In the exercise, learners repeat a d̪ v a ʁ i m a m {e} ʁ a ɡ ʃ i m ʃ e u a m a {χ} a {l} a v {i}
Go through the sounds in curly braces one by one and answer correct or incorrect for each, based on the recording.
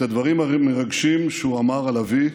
correct, incorrect: ʁ, correct, correct

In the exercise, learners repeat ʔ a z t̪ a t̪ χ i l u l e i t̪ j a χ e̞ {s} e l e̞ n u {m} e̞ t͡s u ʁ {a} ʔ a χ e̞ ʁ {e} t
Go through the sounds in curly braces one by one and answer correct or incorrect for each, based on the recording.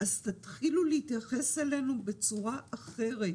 correct, incorrect: b, correct, correct

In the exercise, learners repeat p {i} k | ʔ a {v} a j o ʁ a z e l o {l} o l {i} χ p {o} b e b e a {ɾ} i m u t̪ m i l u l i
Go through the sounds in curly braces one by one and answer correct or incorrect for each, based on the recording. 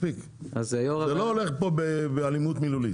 correct, incorrect: z, incorrect: none, incorrect: e, correct, incorrect: l

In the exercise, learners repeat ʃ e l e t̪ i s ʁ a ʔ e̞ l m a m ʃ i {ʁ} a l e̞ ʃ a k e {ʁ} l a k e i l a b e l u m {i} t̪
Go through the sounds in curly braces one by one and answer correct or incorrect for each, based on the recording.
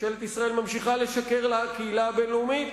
incorrect: χ, correct, correct

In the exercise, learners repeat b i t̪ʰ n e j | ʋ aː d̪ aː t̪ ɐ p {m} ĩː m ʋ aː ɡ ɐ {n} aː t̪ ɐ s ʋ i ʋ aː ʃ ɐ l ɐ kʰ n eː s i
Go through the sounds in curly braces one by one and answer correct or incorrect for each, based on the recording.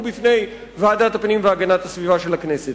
incorrect: n, correct

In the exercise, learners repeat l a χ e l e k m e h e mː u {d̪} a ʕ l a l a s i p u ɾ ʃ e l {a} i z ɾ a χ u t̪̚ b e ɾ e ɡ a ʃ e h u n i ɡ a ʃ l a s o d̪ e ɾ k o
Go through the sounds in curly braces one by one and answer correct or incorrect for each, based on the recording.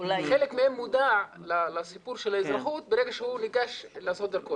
correct, correct

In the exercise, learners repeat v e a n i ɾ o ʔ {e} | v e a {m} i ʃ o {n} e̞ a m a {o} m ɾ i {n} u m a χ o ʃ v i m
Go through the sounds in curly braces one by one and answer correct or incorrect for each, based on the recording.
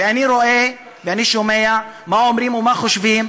correct, incorrect: n, incorrect: m, correct, incorrect: m

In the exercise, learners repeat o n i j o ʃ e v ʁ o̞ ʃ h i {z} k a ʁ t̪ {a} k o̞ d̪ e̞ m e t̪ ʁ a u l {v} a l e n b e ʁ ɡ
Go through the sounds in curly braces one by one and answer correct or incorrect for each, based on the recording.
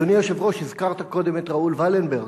correct, correct, correct

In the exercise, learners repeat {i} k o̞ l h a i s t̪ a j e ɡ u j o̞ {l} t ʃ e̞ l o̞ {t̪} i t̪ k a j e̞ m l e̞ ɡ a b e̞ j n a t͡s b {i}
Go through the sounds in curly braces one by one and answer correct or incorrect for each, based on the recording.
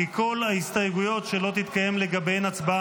correct, incorrect: none, correct, incorrect: a

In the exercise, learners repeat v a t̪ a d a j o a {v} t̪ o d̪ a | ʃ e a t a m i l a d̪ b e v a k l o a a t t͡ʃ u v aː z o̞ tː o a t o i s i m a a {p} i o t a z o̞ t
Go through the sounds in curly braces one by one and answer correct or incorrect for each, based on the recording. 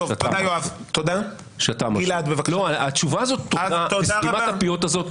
correct, correct

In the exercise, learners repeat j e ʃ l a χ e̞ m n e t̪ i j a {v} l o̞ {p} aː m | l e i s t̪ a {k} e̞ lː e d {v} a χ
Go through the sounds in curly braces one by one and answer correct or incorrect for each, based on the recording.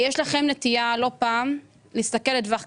incorrect: none, correct, correct, correct

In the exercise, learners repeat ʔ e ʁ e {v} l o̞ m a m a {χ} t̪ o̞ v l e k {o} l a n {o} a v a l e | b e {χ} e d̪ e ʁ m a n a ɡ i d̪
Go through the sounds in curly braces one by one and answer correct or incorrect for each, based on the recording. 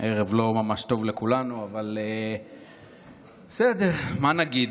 correct, incorrect: ʃ, incorrect: u, incorrect: u, incorrect: s

